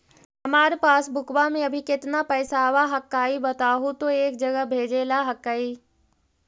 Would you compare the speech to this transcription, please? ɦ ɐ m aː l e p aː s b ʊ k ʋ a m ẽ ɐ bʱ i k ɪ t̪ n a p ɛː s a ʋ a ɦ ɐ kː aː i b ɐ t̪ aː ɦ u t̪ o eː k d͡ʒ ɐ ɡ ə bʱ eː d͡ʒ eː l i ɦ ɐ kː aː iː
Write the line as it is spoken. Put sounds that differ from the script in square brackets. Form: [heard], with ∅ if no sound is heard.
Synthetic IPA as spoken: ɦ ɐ m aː [ɾ] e p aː s b ʊ k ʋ a m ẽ ɐ bʱ i k ɪ t̪ n a p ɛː s a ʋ a ɦ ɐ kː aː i b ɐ t̪ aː ɦ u t̪ o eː k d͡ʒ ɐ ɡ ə bʱ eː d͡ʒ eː l [a] ɦ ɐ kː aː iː